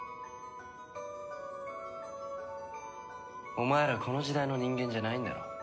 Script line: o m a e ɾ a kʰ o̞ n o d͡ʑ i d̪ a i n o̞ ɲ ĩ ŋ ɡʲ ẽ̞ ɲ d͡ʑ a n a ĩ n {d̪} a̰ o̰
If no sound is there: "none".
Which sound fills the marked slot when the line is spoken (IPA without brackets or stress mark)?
d̪